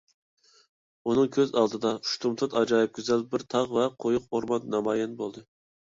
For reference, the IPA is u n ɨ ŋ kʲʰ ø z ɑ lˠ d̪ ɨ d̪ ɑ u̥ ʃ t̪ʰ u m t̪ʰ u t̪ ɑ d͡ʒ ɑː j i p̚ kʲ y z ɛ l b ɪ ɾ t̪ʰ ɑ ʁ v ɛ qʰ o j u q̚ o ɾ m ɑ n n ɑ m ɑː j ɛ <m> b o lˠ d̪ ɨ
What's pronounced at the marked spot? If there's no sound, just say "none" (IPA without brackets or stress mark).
n